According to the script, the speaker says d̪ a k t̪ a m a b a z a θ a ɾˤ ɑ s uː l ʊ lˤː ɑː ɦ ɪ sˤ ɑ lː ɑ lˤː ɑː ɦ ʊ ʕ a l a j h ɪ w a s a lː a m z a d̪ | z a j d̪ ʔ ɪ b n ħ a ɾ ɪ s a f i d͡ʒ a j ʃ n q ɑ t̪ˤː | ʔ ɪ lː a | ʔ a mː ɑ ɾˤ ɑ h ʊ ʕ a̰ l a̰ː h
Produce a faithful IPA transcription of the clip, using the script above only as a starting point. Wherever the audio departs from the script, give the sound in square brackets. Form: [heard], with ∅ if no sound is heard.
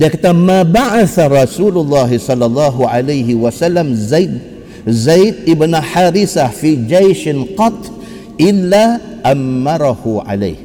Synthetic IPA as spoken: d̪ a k t̪ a m a b a [ʕ] a θ a ɾˤ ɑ s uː l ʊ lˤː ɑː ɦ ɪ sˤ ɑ lː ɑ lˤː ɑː ɦ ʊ ʕ a l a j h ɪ w a s a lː a m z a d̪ | z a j d̪ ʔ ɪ b n ħ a ɾ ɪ s a f i d͡ʒ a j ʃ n q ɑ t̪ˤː | ʔ ɪ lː a | ʔ a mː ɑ ɾˤ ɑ h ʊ ʕ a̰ l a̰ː h